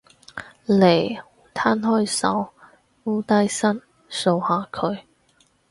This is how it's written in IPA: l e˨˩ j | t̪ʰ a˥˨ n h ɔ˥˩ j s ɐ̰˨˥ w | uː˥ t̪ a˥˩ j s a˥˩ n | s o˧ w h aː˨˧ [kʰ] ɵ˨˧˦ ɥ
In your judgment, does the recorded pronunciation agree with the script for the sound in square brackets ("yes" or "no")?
yes